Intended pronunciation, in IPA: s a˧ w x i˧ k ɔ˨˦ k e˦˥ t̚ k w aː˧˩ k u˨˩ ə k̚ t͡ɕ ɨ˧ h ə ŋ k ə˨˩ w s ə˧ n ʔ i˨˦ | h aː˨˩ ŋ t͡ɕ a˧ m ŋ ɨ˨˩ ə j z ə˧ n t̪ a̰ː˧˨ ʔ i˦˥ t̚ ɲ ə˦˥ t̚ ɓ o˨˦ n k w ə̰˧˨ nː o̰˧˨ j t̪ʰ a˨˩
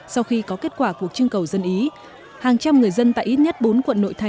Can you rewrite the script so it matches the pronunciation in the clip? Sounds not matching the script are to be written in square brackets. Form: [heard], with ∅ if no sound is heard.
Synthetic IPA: s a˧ w x i˧ k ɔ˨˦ k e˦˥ t̚ k w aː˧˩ k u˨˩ ə k̚ t͡ɕ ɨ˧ [∅] ə ŋ k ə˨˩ w [z] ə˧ n ʔ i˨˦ | h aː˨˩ ŋ t͡ɕ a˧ m ŋ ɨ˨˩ ə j z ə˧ n t̪ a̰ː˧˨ ʔ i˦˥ t̚ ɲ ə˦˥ t̚ ɓ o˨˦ n k w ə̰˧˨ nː o̰˧˨ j t̪ʰ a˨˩